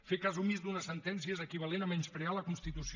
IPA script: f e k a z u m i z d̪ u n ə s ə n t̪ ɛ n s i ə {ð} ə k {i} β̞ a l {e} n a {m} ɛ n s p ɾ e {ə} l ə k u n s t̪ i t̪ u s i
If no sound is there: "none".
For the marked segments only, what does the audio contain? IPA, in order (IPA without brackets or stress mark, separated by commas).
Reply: z, i, e, m, a